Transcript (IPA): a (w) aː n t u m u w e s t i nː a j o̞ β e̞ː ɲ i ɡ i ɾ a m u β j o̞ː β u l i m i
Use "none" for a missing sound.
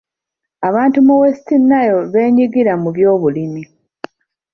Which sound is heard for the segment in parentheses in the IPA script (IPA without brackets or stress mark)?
β